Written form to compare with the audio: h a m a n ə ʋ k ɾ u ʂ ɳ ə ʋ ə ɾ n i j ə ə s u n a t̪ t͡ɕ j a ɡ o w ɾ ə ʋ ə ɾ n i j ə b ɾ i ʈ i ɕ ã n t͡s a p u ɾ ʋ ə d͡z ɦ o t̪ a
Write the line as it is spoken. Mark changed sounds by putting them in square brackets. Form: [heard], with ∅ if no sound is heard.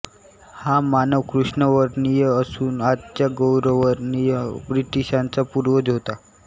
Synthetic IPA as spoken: h a m a n ə ʋ k ɾ u ʂ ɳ ə ʋ ə ɾ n i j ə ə s [uː] n a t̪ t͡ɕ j a ɡ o w ɾ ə ʋ ə ɾ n i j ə b ɾ i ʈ i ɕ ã n t͡s a p u ɾ ʋ ə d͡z ɦ o t̪ a